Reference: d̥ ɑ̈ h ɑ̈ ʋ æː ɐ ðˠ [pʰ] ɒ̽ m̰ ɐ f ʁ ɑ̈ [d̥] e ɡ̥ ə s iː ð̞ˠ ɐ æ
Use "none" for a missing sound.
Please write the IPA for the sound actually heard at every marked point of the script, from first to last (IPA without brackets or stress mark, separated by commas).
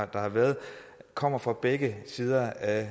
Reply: kʰ, b̥